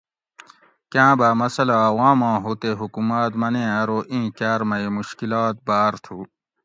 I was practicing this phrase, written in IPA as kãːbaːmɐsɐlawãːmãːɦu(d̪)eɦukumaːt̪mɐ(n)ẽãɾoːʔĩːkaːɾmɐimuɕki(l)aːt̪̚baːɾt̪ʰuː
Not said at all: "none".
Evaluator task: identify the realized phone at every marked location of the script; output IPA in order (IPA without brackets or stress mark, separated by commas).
t̪, n, l